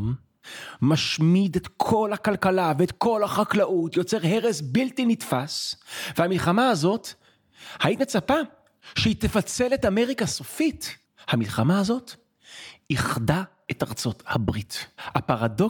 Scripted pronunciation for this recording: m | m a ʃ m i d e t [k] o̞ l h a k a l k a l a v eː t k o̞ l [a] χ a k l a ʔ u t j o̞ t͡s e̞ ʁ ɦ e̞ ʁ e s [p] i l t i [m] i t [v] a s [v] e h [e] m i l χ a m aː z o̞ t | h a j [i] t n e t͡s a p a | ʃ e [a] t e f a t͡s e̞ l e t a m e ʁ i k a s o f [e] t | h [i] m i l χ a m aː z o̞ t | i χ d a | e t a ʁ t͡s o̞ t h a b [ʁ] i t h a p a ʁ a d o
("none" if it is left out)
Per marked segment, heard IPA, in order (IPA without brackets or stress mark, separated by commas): kʰ, a, b, n, f, v, a, i, i, i, a, ʁ